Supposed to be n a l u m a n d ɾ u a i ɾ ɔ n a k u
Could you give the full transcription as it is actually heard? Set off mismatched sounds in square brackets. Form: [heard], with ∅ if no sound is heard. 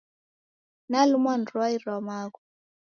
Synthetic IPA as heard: n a l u m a n d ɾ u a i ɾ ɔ [m] a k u